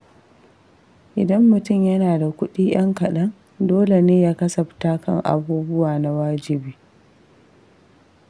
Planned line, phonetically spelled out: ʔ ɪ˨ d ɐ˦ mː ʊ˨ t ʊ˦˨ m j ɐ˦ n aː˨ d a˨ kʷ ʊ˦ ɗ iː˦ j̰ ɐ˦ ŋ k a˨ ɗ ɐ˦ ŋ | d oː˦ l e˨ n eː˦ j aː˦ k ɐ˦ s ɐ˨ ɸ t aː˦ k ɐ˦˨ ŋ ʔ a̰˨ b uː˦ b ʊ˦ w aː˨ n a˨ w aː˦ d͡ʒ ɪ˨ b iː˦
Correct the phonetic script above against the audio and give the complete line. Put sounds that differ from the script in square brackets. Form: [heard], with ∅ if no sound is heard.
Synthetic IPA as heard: ʔ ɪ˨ d ɐ˦ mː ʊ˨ t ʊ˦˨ m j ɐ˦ n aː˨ d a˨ kʷ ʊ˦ ɗ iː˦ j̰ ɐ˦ ŋ k [ɐ˨] ɗ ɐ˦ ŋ | d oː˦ l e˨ n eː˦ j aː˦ k ɐ˦ s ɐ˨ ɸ t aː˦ k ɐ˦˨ ŋ ʔ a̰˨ b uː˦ b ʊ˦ w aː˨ n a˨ w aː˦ d͡ʒ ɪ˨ b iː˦